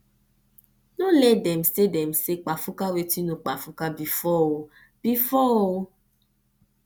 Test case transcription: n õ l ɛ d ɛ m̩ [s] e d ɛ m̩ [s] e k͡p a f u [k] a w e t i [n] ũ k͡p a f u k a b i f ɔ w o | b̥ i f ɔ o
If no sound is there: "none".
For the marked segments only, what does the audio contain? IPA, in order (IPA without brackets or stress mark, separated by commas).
s, s, k, n